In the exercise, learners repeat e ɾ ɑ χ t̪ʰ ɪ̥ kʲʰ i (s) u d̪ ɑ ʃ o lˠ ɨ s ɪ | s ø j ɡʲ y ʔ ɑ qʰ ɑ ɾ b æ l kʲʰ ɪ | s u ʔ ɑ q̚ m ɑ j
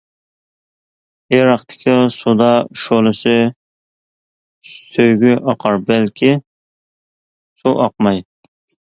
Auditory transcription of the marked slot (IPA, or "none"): s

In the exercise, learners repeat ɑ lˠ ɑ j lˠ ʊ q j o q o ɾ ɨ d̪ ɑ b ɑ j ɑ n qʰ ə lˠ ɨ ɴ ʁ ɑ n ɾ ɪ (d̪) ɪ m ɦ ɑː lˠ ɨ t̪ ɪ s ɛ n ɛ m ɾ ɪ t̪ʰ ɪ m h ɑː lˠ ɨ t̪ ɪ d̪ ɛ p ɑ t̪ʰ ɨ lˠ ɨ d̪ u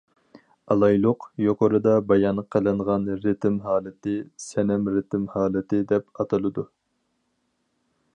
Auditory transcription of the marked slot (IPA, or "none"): t̪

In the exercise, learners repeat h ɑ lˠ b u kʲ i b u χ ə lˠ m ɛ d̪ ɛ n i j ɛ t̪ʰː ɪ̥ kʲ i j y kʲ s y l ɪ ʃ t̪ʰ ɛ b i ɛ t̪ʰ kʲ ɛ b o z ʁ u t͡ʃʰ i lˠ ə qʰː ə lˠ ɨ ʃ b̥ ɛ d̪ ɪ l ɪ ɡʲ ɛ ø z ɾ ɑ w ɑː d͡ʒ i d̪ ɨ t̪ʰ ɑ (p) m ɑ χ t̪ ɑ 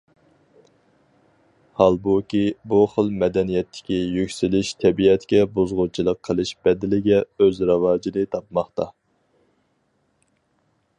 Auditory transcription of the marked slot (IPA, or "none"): p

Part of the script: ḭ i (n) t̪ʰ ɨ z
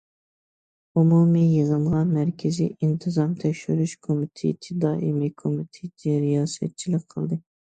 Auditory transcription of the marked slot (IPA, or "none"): n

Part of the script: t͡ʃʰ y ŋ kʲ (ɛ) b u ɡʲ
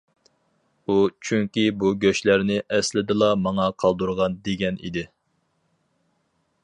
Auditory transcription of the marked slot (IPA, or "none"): i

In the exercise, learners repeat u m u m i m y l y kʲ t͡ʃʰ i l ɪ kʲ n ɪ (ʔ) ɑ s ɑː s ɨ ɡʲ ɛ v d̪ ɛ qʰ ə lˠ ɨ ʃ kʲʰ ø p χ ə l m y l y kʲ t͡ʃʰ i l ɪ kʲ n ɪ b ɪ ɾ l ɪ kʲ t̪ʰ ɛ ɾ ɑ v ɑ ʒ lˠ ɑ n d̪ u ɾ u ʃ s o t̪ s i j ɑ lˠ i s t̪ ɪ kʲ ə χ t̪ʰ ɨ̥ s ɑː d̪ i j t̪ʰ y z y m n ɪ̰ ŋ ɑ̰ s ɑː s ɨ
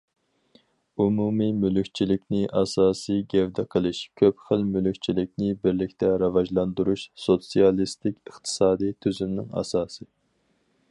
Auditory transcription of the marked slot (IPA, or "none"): ʔ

